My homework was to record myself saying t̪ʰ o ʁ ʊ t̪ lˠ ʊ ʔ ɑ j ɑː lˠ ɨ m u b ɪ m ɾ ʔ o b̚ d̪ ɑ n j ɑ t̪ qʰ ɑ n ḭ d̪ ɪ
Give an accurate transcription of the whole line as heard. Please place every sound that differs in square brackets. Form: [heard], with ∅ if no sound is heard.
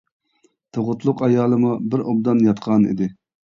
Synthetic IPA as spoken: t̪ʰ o ʁ ʊ t̪ lˠ ʊ [q] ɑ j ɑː lˠ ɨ m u b ɪ [∅] ɾ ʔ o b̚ d̪ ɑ n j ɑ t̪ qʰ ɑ n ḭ d̪ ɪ